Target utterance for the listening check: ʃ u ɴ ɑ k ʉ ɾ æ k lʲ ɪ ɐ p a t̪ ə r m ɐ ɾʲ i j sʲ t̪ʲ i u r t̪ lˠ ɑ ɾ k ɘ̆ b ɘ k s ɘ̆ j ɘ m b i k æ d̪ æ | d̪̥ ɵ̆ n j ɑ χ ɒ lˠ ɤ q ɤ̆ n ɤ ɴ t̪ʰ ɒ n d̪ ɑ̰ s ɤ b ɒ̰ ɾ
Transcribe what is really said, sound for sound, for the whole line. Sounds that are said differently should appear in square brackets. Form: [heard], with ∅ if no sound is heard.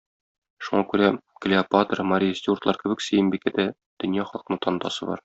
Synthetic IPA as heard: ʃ u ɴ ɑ k ʉ ɾ æ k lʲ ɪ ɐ p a t̪ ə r m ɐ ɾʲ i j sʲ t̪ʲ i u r t̪ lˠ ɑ ɾ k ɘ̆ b ɘ k s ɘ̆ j ɘ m b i k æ d̪ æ | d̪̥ ɵ̆ n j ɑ χ ɒ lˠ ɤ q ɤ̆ n ɤ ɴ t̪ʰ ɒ n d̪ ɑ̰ s ɤ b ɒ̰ ɾ